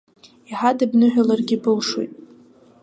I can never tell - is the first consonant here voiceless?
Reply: yes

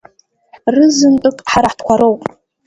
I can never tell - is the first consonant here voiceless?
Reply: no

